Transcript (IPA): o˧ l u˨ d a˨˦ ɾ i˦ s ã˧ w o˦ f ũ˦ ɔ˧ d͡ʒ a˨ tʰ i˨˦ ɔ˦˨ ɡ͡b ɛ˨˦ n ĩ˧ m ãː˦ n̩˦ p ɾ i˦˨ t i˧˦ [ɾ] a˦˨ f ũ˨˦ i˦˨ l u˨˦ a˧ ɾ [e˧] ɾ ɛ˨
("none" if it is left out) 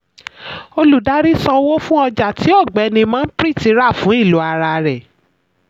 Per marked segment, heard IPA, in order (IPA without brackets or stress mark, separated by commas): ɾ, a˧